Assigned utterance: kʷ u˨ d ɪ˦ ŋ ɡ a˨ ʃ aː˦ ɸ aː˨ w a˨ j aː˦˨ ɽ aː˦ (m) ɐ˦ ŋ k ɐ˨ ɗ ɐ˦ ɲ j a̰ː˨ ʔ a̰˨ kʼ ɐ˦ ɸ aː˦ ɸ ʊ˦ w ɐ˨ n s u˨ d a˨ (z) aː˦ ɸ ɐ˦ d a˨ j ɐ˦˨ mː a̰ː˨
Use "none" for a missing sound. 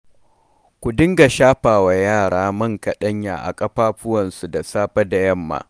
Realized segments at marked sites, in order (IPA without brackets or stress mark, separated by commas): m, s